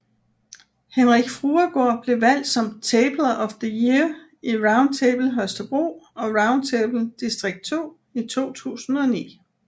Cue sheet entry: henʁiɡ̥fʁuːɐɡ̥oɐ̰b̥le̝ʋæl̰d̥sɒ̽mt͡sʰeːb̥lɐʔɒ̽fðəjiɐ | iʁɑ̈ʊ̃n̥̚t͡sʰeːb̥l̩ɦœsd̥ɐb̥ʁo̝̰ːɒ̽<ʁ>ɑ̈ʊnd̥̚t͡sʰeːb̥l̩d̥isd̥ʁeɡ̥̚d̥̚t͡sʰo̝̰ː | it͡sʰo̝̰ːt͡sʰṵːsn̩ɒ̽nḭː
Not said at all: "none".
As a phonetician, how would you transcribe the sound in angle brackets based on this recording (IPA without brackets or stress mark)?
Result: ʁ